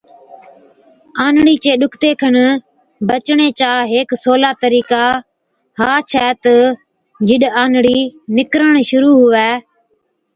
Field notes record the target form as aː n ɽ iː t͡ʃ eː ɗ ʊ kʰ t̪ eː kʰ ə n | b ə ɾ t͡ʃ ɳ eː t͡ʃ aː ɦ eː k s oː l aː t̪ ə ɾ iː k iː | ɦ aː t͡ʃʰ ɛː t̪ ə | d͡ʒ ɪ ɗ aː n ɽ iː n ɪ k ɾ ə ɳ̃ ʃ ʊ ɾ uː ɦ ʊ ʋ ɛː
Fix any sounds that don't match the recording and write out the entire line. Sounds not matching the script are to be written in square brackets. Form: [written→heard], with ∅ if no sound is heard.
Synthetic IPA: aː n ɽ iː t͡ʃ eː ɗ ʊ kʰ t̪ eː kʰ ə n | b ə [ɾ→∅] t͡ʃ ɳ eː t͡ʃ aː ɦ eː k s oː l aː t̪ ə ɾ iː k [iː→aː] | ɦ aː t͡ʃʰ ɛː t̪ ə | d͡ʒ ɪ ɗ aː n ɽ iː n ɪ k ɾ ə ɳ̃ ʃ ʊ ɾ uː ɦ ʊ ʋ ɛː